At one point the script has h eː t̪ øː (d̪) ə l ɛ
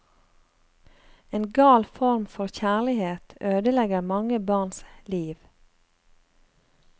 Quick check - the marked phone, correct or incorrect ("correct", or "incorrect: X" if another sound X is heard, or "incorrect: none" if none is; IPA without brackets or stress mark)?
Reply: correct